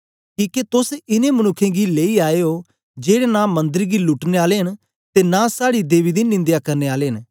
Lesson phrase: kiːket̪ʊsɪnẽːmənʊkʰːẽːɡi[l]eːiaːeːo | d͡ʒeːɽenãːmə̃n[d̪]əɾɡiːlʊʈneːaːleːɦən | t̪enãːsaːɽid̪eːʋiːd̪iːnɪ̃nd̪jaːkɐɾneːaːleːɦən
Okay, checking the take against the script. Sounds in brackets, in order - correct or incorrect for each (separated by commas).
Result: correct, correct